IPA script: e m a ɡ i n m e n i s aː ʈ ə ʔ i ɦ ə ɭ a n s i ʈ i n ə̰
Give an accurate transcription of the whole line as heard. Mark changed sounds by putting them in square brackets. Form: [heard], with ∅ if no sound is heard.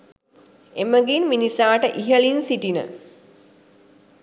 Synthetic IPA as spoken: e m [ə] ɡ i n m [i] n i s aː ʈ ə ʔ i ɦ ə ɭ [i] n s i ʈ i n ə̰